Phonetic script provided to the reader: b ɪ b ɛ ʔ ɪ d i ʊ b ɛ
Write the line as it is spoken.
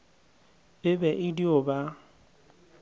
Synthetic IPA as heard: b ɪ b ɛ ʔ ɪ d i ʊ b a